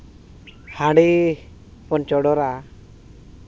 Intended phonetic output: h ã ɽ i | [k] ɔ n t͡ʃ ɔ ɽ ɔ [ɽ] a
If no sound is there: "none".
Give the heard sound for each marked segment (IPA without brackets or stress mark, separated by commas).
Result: p, ɾ